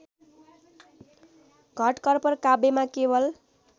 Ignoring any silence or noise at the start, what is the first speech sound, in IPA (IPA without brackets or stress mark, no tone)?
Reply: ɡʱ